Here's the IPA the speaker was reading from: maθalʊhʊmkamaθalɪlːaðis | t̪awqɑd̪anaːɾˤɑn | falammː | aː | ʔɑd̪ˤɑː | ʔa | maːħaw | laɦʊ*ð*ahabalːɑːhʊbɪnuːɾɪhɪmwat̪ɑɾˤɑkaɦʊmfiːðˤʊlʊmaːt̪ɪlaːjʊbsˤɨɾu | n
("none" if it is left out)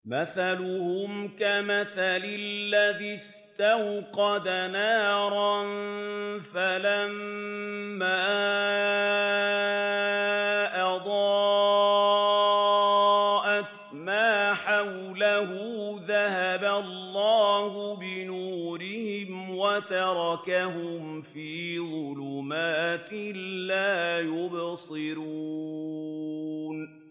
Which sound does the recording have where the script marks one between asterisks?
ð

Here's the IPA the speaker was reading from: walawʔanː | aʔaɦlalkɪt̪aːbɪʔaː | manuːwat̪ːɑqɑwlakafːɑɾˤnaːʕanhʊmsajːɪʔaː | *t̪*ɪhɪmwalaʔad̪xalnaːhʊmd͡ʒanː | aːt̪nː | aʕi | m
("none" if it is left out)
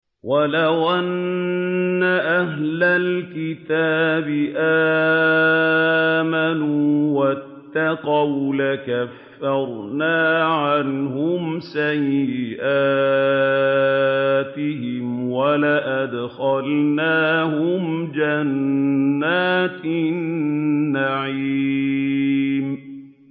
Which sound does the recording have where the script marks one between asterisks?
t̪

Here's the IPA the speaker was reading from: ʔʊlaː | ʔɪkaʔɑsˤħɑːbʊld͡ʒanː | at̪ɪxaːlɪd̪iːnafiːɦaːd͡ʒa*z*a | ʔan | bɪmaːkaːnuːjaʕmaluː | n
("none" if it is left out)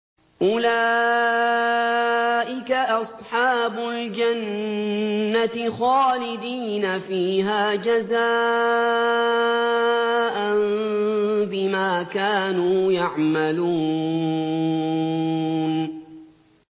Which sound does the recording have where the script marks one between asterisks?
z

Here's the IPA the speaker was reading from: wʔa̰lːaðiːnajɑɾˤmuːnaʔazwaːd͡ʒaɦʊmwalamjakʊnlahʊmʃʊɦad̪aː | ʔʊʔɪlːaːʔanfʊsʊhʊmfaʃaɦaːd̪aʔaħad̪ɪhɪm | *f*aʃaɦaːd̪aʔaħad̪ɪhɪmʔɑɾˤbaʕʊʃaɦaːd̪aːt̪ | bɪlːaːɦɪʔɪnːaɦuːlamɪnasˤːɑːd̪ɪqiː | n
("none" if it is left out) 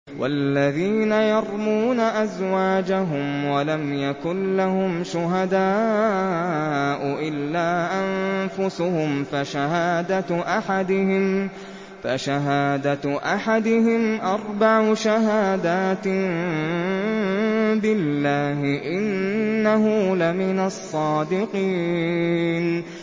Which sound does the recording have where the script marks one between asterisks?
f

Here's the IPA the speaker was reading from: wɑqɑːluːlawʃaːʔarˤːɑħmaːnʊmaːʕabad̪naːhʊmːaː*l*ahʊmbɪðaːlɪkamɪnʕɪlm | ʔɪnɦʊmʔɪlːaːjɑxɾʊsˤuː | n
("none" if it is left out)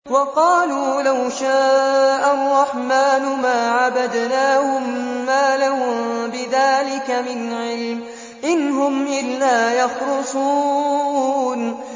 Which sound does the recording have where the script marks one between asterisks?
l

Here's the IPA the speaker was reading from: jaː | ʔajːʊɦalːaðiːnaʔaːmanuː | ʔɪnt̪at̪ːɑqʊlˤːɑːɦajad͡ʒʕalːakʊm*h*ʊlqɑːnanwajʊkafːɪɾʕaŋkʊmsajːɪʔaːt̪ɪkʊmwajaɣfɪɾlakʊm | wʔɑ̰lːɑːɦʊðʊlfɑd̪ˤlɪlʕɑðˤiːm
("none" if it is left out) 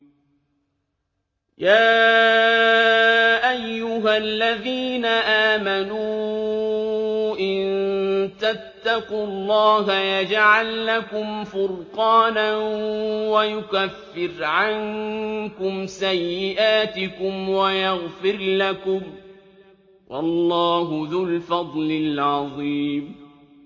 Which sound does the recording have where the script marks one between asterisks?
f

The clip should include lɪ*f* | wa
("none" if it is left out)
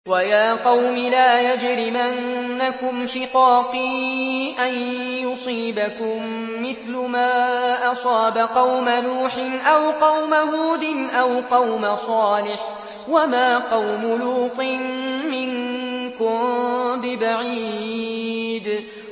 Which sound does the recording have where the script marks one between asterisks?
ħ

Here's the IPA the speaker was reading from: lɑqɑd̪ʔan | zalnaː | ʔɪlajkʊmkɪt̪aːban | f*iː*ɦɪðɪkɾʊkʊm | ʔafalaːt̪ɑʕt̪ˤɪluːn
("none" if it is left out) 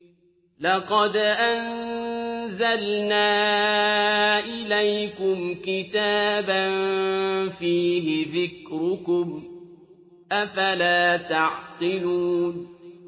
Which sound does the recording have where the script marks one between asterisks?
iː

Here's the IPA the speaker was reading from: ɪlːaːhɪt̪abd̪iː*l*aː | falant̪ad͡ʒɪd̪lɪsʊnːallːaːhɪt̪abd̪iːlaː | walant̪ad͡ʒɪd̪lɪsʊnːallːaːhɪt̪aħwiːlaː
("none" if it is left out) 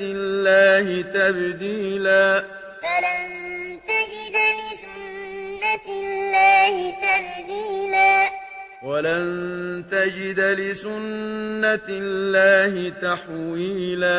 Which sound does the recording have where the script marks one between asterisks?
l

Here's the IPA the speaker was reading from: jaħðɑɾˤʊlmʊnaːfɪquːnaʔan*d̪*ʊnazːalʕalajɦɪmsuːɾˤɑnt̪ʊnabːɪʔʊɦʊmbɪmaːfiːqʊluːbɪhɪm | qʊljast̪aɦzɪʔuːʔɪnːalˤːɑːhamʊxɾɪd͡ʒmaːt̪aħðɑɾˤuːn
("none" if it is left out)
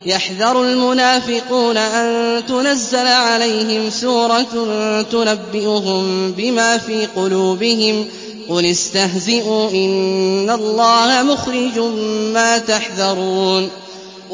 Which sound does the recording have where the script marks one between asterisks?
t̪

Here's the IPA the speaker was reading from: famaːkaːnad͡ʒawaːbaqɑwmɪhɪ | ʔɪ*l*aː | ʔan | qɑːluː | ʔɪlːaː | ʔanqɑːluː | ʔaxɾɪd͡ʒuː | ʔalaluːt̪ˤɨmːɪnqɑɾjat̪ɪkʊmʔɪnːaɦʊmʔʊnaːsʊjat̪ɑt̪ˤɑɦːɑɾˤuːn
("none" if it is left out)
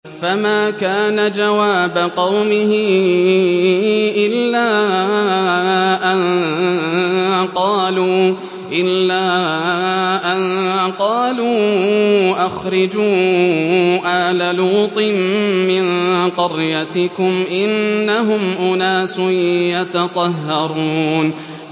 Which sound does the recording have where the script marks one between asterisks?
lː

